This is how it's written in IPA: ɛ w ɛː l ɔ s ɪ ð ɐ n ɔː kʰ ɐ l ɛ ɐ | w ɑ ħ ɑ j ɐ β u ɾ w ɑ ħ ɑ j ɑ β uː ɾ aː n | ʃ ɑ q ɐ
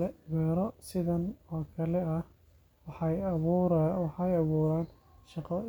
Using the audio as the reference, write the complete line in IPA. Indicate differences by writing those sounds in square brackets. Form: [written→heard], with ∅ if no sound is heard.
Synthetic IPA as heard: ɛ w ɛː [l→ɾ] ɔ s ɪ ð ɐ n ɔː kʰ ɐ l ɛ ɐ | w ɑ ħ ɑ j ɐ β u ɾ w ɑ ħ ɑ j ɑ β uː ɾ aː n | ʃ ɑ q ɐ

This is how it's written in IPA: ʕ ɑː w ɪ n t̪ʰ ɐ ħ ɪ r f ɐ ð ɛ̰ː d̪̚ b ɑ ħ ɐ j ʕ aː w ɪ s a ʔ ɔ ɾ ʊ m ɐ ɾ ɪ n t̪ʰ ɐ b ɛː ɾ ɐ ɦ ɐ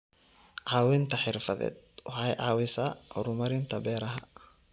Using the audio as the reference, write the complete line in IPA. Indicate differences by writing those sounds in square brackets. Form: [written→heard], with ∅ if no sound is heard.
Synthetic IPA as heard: ʕ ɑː w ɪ n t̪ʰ ɐ ħ ɪ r f ɐ ð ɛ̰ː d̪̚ [b→w] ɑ ħ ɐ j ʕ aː w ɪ s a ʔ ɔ ɾ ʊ m ɐ ɾ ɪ n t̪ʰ ɐ b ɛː ɾ ɐ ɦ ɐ

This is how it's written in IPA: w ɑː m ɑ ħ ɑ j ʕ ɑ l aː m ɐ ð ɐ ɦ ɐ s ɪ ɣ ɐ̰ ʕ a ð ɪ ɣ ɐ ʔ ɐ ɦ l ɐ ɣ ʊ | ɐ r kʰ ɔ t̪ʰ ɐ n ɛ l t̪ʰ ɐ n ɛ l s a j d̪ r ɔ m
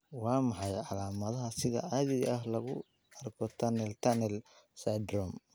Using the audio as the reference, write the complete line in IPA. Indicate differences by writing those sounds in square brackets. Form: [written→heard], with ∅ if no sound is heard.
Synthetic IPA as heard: w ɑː m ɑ ħ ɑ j ʕ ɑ l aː m ɐ ð ɐ ɦ ɐ s ɪ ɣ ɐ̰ ʕ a ð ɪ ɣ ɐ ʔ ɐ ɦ l ɐ ɣ ʊ | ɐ r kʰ ɔ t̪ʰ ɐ n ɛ l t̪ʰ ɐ n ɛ l s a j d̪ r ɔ m

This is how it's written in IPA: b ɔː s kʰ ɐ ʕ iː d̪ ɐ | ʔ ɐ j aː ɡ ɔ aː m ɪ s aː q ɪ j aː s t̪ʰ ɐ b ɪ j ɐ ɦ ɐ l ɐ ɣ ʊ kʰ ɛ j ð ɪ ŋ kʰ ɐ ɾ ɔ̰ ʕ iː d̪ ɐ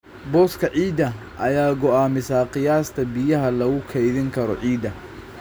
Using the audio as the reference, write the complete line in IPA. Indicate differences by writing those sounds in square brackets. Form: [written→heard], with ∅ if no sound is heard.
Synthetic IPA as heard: b ɔː s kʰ ɐ ʕ iː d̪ ɐ | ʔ ɐ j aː ɡ ɔ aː m ɪ s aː q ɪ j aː s t̪ʰ ɐ b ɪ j ɐ ɦ ɐ l ɐ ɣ ʊ kʰ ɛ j ð ɪ ŋ kʰ ɐ ɾ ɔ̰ ʕ iː d̪ ɐ

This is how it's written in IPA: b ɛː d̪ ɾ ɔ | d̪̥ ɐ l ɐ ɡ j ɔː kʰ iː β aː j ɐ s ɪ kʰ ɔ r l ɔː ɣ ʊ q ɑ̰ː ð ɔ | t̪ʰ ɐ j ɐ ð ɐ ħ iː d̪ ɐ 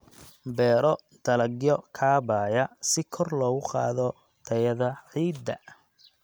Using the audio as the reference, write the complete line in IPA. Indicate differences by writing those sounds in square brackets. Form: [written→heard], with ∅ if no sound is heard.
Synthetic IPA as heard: b ɛː [d̪→∅] ɾ ɔ | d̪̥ ɐ l ɐ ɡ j [ɔː→ɔ] kʰ [iː→aː] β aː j ɐ s ɪ kʰ ɔ r l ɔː ɣ ʊ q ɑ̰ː ð ɔ | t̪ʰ ɐ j ɐ ð ɐ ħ iː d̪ ɐ

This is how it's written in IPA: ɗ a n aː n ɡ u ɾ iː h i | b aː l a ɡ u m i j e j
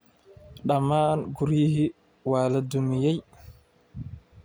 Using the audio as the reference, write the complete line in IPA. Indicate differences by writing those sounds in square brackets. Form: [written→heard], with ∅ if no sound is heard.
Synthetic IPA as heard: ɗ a [n→m] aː n ɡ u ɾ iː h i | [b→w] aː l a [ɡ→d] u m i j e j

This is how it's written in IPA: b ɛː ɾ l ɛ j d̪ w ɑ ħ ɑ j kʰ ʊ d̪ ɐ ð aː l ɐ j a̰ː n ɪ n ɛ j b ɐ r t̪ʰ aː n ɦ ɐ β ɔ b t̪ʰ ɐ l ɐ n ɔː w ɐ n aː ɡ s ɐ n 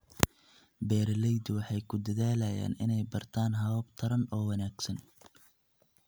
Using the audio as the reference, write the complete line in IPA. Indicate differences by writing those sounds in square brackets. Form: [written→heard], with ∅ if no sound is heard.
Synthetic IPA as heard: b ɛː ɾ l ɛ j d̪ w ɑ ħ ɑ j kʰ ʊ d̪ ɐ ð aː l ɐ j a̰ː n ɪ n ɛ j b ɐ r t̪ʰ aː n ɦ ɐ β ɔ b t̪ʰ ɐ [l→ɾ] ɐ n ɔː w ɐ n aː ɡ s ɐ n

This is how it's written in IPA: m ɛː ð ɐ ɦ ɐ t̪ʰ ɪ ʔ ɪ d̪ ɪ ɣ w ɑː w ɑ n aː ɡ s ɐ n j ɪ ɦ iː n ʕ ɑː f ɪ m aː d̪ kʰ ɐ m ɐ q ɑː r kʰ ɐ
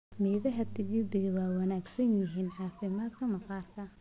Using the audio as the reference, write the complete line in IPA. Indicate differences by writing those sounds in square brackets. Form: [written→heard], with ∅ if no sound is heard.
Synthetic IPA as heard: m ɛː ð ɐ ɦ ɐ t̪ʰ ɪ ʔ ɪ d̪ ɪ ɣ w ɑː w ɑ n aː ɡ s ɐ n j ɪ ɦ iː n ʕ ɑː f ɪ m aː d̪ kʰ ɐ m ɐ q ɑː r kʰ ɐ

